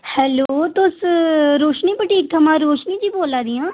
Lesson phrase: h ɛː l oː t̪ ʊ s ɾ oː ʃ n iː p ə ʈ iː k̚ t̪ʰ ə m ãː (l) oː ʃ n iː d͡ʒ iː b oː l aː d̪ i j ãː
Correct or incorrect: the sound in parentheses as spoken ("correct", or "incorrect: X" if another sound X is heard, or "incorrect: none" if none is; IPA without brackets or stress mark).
incorrect: ɾ